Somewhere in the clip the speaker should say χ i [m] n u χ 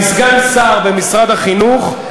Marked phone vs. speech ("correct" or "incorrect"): incorrect